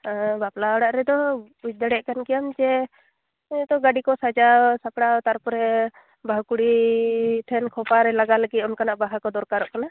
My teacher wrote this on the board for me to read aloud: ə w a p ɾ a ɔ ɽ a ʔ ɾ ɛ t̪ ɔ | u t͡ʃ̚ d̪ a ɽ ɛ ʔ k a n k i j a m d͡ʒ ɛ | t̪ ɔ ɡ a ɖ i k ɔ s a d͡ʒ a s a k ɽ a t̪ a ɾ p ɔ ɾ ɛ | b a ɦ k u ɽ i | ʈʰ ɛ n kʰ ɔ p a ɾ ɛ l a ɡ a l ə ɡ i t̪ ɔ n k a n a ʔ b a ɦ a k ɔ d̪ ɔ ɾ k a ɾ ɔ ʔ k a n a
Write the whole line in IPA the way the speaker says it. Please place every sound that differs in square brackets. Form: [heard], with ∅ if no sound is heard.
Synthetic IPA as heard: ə [b] a p [l] a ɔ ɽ a ʔ ɾ ɛ [d̪] ɔ | u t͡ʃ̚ d̪ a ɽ ɛ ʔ k a n k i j a m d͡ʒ ɛ | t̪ ɔ ɡ a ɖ i k ɔ s a d͡ʒ a s a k ɽ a t̪ a ɾ p ɔ ɾ ɛ | b a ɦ k u ɽ i | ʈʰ ɛ n kʰ ɔ p a ɾ ɛ l a ɡ a l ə ɡ i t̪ ɔ n k a n a ʔ b a ɦ a k ɔ d̪ ɔ ɾ k a ɾ ɔ ʔ k a n a